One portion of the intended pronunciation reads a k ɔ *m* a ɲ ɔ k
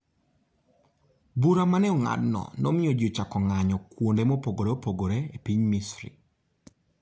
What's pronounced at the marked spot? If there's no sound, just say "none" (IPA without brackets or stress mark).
ŋ